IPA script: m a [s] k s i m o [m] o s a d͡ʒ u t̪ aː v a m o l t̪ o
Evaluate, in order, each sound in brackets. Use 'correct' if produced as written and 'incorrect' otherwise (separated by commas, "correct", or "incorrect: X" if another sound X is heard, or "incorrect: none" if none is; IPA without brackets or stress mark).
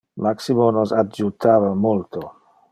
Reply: incorrect: none, incorrect: n